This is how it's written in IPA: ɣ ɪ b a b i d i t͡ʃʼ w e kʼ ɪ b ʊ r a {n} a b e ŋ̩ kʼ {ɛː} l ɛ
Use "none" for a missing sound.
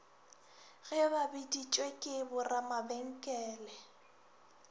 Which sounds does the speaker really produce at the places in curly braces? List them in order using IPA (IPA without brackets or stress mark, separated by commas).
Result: m, ɛː